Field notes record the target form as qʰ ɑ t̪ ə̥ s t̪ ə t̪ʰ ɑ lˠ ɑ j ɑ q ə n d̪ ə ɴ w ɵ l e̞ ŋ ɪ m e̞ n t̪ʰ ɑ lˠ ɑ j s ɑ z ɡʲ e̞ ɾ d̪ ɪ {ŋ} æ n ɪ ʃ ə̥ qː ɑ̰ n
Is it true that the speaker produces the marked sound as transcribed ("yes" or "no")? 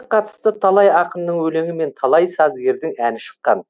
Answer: yes